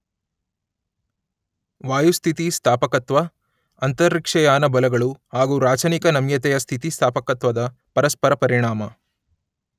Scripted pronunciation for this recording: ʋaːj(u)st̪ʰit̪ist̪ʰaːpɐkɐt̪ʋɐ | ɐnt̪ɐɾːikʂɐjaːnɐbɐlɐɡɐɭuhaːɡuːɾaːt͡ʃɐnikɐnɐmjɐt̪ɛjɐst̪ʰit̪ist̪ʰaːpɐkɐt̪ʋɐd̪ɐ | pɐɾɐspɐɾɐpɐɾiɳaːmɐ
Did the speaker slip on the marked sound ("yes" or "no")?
no